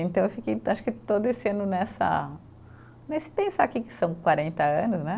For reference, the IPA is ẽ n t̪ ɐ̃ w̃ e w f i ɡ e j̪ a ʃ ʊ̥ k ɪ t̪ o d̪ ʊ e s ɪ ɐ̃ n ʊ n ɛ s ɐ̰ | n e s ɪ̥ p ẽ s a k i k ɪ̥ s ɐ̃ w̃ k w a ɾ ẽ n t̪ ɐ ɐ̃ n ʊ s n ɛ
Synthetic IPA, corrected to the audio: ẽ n t̪ ɐ̃ w̃ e w f i k e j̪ a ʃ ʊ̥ k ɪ t̪ o d̪ ʊ e s ɪ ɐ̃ n ʊ n ɛ s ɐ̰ | n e s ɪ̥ p ẽ s a k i k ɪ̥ s ɐ̃ w̃ k w a ɾ ẽ n t̪ ɐ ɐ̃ n ʊ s n ɛ